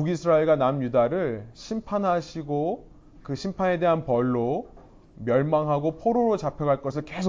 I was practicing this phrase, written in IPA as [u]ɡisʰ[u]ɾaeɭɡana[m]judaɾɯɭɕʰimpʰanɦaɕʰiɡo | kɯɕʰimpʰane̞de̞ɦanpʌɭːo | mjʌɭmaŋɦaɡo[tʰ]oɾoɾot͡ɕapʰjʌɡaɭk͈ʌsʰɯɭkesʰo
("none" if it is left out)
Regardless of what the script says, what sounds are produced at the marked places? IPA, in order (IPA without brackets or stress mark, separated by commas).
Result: u, ɯ, m, pʰ